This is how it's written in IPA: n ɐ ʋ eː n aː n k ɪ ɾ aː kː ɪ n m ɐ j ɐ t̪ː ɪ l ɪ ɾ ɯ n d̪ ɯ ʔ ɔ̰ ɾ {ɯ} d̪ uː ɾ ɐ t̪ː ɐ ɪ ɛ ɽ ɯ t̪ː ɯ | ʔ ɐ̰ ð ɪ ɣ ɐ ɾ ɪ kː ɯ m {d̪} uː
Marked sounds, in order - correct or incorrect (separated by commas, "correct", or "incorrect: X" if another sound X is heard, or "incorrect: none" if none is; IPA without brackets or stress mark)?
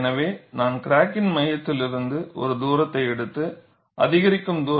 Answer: correct, correct